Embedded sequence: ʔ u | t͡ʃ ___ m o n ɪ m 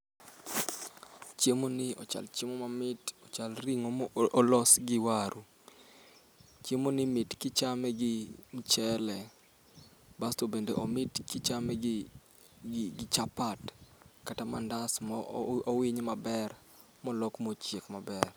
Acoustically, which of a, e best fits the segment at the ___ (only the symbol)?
e